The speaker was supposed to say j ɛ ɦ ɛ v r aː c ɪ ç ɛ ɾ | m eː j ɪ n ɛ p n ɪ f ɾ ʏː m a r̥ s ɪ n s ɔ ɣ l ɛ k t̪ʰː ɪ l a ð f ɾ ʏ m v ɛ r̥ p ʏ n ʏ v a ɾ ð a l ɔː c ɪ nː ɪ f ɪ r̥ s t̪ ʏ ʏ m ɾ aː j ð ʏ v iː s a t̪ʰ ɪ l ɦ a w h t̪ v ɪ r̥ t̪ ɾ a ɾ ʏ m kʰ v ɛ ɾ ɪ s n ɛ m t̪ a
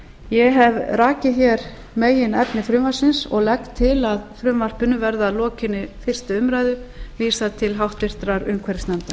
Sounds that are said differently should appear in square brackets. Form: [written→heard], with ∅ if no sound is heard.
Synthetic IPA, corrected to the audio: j ɛ ɦ ɛ v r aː c ɪ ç ɛ ɾ | m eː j ɪ n ɛ p n ɪ f ɾ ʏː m a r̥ s ɪ n s ɔ ɣ l ɛ k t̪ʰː ɪ l a ð f ɾ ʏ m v [ɛ→a] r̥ p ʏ n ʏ v [a→ɛ] ɾ ð a l ɔː c ɪ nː ɪ f ɪ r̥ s t̪ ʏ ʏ m ɾ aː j ð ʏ v iː s a t̪ʰ ɪ l ɦ a w h t̪ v ɪ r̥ t̪ ɾ a ɾ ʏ m kʰ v ɛ ɾ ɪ s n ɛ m t̪ a

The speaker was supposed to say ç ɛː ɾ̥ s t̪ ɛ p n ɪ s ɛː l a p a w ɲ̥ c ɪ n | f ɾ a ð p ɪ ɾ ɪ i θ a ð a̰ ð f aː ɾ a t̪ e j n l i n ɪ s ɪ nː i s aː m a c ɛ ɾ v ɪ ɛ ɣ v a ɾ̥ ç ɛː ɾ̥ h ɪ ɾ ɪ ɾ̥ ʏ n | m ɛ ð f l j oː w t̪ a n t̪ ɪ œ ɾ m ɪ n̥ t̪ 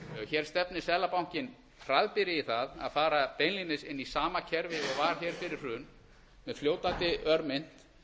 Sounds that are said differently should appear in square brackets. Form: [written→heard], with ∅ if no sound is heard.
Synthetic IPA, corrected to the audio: ç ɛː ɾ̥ s t̪ ɛ p n ɪ s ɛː l a p a w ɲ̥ c ɪ n | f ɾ a ð p ɪ ɾ ɪ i θ a ð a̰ ð f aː ɾ a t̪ e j n l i n ɪ s ɪ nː i s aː m a [c→cʰ] ɛ ɾ v ɪ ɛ ɣ v a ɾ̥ ç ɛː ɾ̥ [h→f] ɪ ɾ ɪ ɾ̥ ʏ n | m ɛ ð f l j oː w t̪ a n t̪ ɪ œ ɾ m ɪ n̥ t̪

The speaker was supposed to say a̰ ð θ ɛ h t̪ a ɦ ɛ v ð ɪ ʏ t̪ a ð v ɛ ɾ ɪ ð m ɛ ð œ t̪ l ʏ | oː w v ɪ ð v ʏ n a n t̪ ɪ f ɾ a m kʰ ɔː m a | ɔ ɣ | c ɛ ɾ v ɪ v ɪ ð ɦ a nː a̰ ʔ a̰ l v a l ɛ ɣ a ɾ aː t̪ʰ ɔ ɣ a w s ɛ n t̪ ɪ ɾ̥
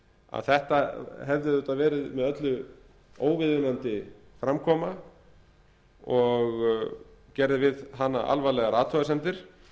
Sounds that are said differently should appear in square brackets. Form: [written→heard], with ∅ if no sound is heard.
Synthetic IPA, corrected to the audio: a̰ ð θ ɛ h t̪ a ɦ ɛ v ð ɪ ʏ t̪ a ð v [ɛ→ɛː] ɾ ɪ ð m ɛ ð œ t̪ l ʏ | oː w v ɪ ð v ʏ n a n t̪ ɪ f ɾ a m kʰ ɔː m a | ɔ ɣ | c ɛ ɾ [v→ð] ɪ v ɪ ð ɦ a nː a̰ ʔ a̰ l v a l ɛ ɣ a ɾ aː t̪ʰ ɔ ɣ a [w→∅] s ɛ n t̪ ɪ ɾ̥

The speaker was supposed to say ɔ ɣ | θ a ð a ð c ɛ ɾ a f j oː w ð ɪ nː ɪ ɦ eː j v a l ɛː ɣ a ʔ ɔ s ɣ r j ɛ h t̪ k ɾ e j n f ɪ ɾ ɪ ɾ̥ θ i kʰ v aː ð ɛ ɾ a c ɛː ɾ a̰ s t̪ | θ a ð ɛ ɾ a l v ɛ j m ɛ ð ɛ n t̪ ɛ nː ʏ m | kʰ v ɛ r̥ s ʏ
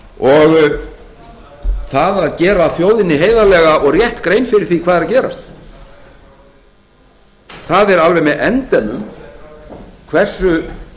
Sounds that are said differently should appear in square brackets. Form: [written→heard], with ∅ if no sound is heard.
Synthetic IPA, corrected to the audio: ɔ ɣ | θ a ð a ð c [ɛ→ɛː] ɾ a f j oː w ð ɪ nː ɪ ɦ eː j [v→ð] a l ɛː ɣ a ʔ ɔ [s→∅] ɣ r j ɛ h t̪ k ɾ e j n f ɪ ɾ ɪ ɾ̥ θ i kʰ v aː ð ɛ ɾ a c ɛː ɾ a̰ s t̪ | θ a ð ɛ ɾ a l v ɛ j m ɛ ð ɛ n t̪ ɛ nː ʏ m | kʰ v ɛ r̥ s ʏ

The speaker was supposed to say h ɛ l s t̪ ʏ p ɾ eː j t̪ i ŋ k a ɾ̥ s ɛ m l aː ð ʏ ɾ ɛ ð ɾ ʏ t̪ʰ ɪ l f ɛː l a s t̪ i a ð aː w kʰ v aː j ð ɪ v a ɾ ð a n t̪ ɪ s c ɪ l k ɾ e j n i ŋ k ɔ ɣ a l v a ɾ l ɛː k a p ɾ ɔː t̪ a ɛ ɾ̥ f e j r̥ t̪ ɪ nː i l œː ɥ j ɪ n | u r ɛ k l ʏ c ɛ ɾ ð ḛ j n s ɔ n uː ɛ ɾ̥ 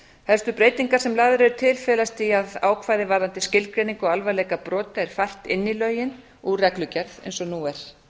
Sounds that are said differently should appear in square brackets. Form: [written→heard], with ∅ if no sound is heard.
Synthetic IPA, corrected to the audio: h ɛ l s t̪ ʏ p ɾ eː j t̪ i ŋ k a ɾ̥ s ɛ m l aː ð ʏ ɾ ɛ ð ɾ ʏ t̪ʰ ɪ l f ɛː l a s t̪ i a ð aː w kʰ v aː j ð ɪ v a ɾ ð a n t̪ ɪ s c ɪ l k ɾ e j n i ŋ k ɔ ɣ a l v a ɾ l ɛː k a p ɾ ɔː t̪ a ɛ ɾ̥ f [e→a] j r̥ t̪ ɪ nː i l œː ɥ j ɪ n | u r ɛ k l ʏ c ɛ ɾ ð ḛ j n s ɔ n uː ɛ ɾ̥

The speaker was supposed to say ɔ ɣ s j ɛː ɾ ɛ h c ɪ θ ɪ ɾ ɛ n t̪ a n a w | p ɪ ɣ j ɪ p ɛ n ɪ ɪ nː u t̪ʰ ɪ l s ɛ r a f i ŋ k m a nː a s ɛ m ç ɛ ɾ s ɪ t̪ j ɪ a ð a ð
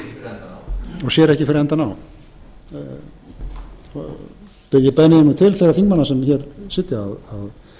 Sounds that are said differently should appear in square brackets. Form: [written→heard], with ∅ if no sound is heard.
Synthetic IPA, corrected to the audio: ɔ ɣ s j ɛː ɾ ɛ h c ɪ [θ→f] ɪ ɾ ɛ n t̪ a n a w | p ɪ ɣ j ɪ p ɛ n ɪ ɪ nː u t̪ʰ ɪ l [s→θ] ɛ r a [f→θ] i ŋ k m a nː a s ɛ m ç ɛ ɾ s ɪ t̪ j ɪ a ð a ð

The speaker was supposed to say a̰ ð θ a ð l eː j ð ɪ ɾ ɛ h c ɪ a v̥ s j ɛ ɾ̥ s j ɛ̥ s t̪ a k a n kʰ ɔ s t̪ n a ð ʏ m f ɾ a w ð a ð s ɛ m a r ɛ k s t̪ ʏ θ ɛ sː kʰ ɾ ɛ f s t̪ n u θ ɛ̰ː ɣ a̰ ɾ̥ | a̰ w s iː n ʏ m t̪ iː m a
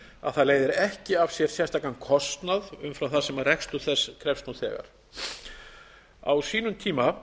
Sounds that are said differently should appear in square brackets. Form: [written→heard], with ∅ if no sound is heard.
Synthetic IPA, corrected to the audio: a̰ ð θ a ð l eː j ð ɪ ɾ ɛ h c ɪ a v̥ s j ɛ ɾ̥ s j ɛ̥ s t̪ a k a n kʰ ɔ s t̪ n a ð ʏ m f ɾ a w [ð→θ] a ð s ɛ m a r ɛ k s t̪ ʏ θ ɛ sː kʰ ɾ ɛ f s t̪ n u θ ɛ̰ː ɣ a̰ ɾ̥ | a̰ w s iː n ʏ m [t̪→t̪ʰ] iː m a

